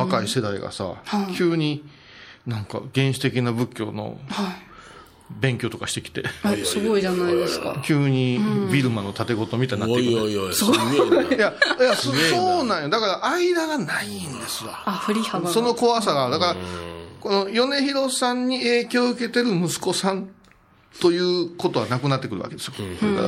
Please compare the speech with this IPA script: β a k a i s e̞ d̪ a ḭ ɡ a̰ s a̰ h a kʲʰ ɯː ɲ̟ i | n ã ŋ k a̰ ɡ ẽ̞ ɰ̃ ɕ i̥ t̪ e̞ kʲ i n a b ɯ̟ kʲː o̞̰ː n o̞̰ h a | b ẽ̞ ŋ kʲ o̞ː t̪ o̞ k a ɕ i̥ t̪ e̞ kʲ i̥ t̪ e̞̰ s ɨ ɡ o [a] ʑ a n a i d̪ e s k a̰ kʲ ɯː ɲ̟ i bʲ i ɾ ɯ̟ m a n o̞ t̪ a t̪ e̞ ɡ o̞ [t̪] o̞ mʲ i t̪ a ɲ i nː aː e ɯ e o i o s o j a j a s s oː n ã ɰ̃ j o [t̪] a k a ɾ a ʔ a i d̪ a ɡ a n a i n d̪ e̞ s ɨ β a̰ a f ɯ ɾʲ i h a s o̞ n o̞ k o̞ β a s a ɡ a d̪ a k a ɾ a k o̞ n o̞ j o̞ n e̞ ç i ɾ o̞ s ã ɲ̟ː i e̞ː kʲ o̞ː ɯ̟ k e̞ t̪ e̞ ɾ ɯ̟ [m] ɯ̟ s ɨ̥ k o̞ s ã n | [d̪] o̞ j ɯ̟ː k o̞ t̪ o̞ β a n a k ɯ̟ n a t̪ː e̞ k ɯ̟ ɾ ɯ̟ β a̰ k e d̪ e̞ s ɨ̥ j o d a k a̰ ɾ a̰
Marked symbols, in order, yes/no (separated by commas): no, yes, no, yes, no